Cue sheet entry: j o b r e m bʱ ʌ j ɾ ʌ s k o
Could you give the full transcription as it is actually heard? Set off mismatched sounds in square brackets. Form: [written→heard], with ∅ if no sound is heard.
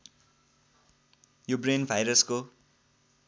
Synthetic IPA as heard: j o b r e [m→n] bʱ [ʌ→a] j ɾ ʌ s k o